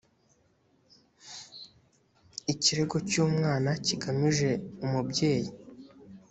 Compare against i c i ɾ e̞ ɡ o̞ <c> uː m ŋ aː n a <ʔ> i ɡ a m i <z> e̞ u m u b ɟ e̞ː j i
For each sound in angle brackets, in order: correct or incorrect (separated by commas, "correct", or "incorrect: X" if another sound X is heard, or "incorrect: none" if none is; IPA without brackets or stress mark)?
correct, incorrect: c, incorrect: ʒ